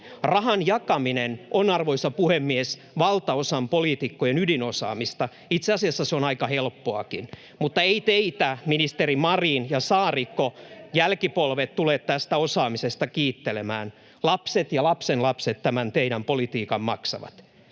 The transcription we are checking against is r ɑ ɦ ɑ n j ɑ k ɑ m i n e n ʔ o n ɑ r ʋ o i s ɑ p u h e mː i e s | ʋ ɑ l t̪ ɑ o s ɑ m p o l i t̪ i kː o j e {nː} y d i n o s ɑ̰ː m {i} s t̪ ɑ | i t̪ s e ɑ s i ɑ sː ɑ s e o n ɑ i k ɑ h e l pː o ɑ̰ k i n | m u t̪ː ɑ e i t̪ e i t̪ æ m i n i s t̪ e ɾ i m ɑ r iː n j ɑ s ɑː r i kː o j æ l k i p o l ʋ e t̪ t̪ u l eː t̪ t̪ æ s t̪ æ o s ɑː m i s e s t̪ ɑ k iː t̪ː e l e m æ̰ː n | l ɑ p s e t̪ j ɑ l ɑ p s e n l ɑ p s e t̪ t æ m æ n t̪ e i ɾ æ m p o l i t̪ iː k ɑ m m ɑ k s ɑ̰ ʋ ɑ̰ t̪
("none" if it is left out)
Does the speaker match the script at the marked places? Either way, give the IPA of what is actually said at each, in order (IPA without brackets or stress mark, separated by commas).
n, i